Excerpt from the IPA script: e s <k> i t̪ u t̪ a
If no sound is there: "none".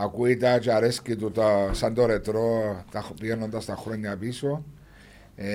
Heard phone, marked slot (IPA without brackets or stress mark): k